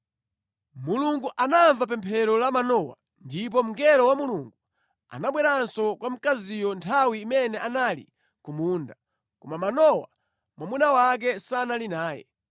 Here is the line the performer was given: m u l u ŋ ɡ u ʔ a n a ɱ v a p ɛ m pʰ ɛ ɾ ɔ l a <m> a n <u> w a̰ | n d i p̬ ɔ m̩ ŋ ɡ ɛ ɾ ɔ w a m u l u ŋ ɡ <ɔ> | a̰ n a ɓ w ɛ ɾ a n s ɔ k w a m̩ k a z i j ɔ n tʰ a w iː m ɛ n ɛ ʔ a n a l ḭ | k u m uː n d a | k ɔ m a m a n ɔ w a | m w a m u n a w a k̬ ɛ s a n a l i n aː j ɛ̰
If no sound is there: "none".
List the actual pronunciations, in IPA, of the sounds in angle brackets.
m, ɔ, u

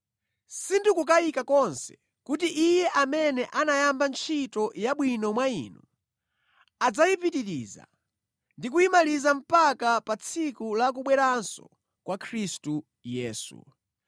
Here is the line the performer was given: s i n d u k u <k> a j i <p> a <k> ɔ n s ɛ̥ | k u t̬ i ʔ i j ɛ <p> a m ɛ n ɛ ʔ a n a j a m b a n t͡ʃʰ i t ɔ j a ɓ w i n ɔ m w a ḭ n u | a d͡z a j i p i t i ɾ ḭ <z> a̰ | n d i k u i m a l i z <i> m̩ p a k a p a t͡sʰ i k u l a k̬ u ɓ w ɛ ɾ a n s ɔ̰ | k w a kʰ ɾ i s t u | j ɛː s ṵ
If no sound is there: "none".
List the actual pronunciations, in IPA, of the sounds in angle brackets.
k, k, k, ʔ, z, a

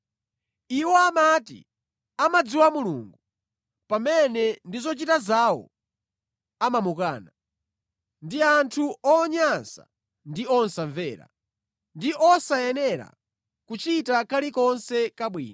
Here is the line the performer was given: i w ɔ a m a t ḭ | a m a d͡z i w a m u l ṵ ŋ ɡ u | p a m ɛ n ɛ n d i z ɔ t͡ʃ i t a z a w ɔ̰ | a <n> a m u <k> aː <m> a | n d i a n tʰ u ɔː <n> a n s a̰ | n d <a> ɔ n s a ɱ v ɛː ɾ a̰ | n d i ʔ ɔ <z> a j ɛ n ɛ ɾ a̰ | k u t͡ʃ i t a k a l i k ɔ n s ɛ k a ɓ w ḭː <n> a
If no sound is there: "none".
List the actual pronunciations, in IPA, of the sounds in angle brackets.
m, k, n, ɲ, i, s, n

